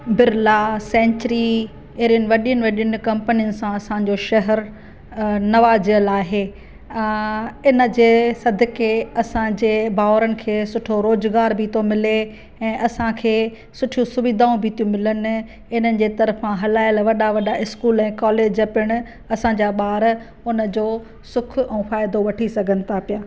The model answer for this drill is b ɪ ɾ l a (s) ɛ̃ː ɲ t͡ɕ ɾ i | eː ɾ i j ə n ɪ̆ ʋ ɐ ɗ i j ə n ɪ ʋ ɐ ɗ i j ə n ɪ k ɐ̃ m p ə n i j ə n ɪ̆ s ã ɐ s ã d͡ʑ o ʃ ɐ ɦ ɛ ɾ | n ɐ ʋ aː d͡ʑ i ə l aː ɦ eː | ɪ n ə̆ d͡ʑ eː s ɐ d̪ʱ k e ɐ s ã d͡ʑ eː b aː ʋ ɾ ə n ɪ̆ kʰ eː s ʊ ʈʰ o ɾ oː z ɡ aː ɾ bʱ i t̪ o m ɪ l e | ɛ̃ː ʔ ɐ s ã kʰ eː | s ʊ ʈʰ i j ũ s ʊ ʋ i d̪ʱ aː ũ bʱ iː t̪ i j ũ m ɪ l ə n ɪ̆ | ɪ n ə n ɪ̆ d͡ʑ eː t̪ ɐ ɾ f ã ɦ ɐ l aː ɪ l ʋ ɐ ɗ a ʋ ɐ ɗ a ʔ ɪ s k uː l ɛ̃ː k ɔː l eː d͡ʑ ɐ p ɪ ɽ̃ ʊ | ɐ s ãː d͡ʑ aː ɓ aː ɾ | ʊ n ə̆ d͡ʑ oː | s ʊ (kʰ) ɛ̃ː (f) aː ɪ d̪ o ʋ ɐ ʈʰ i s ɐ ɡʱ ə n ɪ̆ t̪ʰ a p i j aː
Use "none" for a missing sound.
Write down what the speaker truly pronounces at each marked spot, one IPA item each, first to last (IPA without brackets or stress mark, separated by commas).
s, kʰ, f